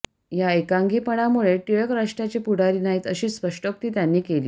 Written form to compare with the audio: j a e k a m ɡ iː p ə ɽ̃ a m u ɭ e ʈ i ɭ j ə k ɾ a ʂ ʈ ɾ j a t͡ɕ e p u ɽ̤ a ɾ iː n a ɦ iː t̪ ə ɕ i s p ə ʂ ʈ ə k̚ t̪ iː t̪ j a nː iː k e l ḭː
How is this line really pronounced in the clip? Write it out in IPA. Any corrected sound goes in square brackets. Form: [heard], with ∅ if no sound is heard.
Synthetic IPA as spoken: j a e k a [ŋ] ɡ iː p ə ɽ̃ a m u ɭ e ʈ i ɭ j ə k ɾ a ʂ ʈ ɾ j a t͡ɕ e p u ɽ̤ a ɾ iː n a ɦ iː t̪ ə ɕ [iː] s p ə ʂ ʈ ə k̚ t̪ iː t̪ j a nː iː k e l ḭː